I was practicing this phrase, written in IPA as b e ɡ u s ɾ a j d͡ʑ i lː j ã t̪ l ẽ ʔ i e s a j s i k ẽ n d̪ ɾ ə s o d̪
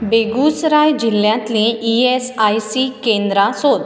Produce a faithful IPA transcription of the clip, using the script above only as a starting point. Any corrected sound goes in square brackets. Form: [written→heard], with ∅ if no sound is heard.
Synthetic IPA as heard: b e ɡ u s ɾ a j d͡ʑ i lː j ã t̪ l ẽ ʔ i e s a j s i k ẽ n d̪ ɾ [ə→a] s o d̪